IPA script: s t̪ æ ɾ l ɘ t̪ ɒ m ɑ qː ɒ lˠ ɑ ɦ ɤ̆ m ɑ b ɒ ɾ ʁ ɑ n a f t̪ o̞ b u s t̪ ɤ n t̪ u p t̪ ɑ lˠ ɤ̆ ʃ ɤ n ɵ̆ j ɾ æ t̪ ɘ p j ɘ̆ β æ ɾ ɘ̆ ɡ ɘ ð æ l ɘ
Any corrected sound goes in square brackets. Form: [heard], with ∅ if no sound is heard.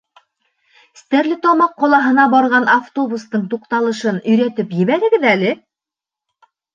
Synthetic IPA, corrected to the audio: s t̪ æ ɾ l ɘ t̪ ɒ m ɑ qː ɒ lˠ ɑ ɦ ɤ̆ [n] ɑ b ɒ ɾ ʁ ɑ n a f t̪ o̞ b u s t̪ ɤ [ɴ] t̪ u [q] t̪ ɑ lˠ ɤ̆ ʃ ɤ n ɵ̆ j ɾ æ t̪ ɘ p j ɘ̆ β æ ɾ ɘ̆ ɡ ɘ ð æ l ɘ